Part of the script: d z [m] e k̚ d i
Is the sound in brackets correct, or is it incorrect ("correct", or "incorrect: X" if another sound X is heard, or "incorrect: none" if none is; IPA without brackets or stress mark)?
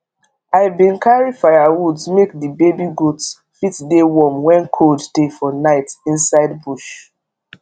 correct